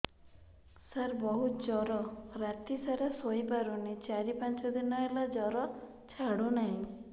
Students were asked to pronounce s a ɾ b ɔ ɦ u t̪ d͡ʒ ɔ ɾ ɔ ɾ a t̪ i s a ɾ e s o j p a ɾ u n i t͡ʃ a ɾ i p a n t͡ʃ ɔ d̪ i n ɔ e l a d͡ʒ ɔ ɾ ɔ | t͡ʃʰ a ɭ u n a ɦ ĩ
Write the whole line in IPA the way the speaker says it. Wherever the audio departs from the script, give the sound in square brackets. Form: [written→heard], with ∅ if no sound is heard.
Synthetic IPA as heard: s a ɾ b ɔ ɦ u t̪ d͡ʒ ɔ ɾ ɔ ɾ a t̪ i s a ɾ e s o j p a ɾ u n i t͡ʃ a ɾ i p a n t͡ʃ ɔ d̪ i n ɔ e l a d͡ʒ ɔ ɾ ɔ | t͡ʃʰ a [ɭ→ɽ] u n a ɦ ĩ